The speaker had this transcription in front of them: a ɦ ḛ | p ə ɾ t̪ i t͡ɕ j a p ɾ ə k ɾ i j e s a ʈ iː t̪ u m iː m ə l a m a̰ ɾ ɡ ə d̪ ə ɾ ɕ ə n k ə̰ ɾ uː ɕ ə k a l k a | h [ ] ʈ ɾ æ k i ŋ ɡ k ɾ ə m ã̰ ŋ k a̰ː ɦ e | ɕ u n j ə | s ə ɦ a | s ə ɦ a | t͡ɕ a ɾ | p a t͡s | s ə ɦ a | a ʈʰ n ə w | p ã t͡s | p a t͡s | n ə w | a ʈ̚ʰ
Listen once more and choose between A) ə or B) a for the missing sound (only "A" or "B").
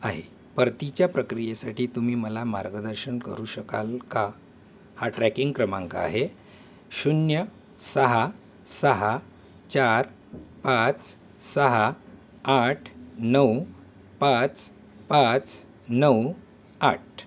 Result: B